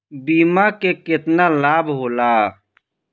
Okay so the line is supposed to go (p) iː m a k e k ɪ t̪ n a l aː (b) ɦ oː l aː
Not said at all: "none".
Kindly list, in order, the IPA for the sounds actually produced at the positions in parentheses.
b, b

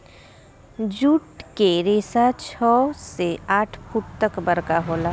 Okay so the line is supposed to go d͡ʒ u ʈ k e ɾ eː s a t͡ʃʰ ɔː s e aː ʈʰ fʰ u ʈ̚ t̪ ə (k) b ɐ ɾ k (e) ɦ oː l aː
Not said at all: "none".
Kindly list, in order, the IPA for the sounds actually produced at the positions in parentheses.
k, a

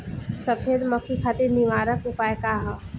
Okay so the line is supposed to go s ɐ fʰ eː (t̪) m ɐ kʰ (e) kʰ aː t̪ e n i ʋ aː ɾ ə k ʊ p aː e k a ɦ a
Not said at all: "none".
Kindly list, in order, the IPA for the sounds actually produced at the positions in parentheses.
d̪, i

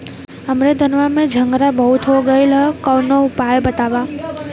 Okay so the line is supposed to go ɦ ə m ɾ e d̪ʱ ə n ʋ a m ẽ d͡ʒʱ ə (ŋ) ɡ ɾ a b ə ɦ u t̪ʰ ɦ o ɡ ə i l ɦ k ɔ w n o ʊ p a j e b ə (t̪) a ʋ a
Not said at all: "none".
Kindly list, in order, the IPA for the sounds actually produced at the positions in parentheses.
ŋ, t̪

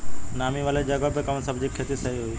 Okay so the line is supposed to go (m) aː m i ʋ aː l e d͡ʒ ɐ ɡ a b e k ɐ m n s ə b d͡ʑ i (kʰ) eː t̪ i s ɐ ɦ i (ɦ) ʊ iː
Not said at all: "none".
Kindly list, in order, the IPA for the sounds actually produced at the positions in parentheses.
n, kʰ, ɦ

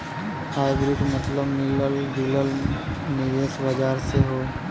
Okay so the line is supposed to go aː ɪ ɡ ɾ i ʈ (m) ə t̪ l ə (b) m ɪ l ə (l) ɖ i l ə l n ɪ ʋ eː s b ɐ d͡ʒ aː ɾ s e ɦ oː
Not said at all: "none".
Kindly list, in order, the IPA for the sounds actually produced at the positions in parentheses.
m, b, l

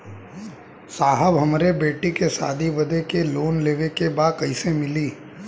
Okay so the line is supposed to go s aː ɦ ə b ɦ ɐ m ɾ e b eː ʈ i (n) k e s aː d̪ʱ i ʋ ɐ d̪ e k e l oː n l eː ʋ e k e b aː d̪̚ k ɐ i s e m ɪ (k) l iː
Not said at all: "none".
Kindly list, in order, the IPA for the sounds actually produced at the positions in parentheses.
none, none

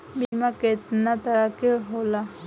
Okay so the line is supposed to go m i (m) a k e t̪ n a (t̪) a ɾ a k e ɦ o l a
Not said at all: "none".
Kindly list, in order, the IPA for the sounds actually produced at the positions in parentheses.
m, t̪

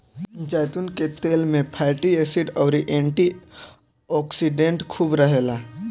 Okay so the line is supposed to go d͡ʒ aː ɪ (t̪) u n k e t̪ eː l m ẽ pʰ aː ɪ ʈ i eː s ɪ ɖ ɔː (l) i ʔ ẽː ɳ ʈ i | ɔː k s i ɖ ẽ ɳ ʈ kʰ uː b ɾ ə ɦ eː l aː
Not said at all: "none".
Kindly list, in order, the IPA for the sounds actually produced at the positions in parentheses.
t̪, ɾ

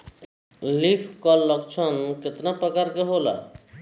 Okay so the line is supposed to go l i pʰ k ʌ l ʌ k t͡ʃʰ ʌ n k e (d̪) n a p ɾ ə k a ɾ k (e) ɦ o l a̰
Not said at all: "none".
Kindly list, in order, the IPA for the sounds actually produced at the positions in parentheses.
t̪, e

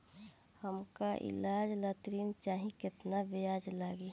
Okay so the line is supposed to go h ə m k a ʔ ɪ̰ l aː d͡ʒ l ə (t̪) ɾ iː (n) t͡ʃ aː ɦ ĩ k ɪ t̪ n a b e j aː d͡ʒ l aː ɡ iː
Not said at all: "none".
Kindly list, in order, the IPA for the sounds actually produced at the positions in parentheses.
t̪, n

